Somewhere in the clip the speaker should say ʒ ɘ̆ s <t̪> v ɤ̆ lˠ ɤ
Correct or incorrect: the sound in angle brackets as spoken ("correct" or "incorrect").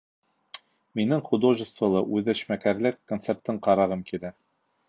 correct